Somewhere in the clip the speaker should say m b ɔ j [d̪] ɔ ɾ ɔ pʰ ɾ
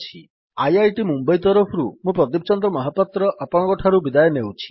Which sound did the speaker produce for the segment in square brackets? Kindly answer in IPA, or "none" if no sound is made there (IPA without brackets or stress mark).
t̪